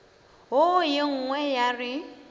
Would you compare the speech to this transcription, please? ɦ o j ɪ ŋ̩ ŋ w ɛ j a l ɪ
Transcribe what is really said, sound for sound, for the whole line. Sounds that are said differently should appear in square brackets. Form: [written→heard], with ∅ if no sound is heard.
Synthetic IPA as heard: ɦ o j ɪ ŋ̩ ŋ w ɛ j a [l→r] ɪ